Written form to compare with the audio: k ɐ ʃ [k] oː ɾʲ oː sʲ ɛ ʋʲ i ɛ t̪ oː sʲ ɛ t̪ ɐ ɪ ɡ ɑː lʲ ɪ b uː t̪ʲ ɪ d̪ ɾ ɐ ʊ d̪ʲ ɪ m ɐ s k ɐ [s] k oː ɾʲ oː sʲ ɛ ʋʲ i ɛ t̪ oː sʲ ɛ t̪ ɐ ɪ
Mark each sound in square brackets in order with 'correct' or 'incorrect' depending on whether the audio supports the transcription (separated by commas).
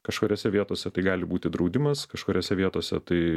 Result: correct, incorrect